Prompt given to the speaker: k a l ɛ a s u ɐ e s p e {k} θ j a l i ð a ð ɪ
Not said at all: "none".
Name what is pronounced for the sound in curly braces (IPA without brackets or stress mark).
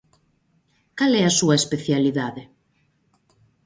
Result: none